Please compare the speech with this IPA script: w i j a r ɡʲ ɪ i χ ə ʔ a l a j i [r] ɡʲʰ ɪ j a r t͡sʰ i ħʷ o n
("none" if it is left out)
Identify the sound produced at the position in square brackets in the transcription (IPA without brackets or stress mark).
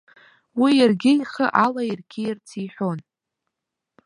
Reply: r